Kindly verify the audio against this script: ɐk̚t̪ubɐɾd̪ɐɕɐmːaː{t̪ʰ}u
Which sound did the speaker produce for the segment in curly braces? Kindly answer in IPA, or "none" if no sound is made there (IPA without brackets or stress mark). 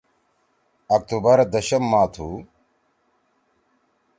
t̪ʰ